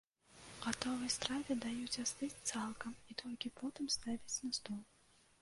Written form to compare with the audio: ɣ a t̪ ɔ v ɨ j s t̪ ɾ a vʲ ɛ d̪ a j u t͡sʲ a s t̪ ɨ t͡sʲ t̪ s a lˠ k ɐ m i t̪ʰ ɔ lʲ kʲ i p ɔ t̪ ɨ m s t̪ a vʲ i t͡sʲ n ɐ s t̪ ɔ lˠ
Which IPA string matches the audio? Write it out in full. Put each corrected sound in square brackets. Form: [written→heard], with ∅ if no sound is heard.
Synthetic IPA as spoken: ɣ a t̪ ɔ v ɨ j s t̪ ɾ a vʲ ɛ d̪ a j u t͡sʲ a s t̪ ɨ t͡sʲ t̪ s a lˠ k ɐ m i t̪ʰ ɔ lʲ kʲ i p ɔ t̪ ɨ m s t̪ a vʲ i t͡sʲ n ɐ s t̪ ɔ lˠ